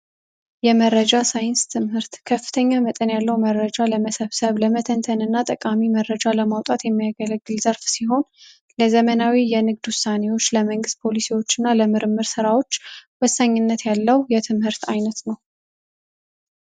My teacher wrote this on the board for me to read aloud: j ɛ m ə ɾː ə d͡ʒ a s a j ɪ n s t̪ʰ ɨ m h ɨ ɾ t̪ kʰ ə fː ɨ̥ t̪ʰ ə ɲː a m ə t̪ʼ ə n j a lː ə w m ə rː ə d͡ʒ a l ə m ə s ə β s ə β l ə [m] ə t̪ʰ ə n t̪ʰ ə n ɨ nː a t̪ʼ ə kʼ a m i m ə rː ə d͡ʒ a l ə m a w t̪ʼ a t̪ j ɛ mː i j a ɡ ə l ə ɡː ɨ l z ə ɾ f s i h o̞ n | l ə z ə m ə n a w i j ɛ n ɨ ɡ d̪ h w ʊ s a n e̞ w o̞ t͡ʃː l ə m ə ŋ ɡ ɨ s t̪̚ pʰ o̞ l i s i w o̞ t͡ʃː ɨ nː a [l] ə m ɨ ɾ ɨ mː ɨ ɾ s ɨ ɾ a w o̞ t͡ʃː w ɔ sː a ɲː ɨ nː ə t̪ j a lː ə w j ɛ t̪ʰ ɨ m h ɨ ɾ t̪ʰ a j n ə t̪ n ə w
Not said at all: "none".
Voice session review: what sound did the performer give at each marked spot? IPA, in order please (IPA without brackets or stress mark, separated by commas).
m, l